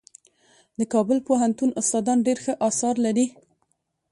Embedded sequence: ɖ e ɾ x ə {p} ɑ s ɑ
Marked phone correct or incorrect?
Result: incorrect